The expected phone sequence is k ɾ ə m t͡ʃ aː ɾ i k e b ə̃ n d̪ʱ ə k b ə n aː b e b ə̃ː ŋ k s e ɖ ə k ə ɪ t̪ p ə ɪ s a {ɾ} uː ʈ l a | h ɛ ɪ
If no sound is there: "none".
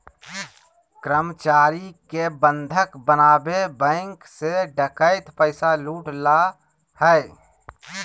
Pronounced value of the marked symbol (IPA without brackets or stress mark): l